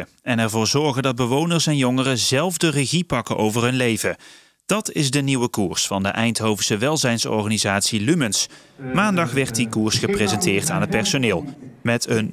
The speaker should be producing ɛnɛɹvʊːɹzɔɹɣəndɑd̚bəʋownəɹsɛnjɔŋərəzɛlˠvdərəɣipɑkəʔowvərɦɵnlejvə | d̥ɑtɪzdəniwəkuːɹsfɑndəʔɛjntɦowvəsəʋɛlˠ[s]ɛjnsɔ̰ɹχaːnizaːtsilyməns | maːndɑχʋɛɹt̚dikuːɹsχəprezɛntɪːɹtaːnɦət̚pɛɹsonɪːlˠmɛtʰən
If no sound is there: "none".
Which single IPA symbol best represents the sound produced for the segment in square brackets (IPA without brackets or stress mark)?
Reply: z